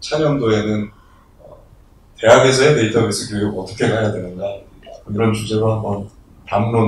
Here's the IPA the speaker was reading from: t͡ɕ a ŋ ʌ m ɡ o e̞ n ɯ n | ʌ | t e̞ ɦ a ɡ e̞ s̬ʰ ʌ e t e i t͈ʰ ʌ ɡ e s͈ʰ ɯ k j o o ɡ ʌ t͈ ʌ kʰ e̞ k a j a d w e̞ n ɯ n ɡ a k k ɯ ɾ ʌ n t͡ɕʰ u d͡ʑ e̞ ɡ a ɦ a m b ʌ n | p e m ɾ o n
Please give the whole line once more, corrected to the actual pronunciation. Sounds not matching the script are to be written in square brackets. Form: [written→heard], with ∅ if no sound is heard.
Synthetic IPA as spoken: [t͡ɕ→t͡ɕʰ] a [ŋ→ɲ] ʌ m [ɡ→d] o e̞ n ɯ n | ʌ | t e̞ ɦ a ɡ e̞ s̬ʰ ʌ e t e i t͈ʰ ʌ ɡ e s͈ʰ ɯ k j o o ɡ ʌ t͈ ʌ kʰ e̞ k a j a d w e̞ n ɯ n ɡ a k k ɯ ɾ ʌ n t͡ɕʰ u d͡ʑ e̞ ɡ a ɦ a m b ʌ n | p [e→a] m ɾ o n